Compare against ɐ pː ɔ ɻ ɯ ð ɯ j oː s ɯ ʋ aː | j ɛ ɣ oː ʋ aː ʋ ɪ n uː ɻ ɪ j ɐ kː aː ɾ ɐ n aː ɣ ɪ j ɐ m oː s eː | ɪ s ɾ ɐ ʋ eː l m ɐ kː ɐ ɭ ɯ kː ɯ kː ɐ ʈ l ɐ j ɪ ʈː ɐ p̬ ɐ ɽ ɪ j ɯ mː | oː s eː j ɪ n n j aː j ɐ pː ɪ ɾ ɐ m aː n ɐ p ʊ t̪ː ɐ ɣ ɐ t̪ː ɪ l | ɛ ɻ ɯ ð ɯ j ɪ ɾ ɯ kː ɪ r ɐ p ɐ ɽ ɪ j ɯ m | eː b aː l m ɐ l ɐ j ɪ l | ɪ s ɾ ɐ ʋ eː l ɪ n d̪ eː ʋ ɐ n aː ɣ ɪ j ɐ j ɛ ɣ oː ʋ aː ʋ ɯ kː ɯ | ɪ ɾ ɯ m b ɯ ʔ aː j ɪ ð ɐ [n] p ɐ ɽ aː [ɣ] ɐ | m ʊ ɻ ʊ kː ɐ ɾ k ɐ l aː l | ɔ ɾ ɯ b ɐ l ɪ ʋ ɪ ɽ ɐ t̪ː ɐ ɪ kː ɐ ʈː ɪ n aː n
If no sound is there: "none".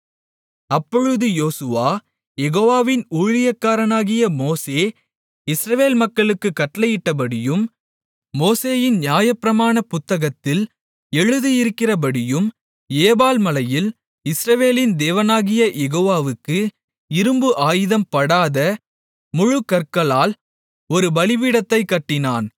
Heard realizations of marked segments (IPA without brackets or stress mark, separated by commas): m, ð